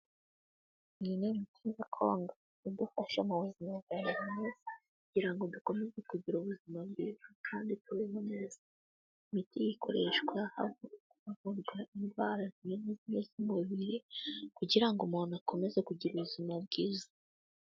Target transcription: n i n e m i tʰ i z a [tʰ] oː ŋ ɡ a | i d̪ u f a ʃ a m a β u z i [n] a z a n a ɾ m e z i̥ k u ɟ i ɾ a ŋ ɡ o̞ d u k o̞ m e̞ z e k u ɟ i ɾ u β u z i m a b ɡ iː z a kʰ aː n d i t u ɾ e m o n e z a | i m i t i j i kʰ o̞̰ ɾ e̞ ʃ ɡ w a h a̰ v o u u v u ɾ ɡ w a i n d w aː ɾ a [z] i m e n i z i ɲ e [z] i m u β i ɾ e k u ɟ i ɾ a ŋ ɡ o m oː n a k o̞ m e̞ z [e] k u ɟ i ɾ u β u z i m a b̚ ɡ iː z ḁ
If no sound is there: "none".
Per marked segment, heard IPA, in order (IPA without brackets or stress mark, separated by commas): kʰ, m, z, z, e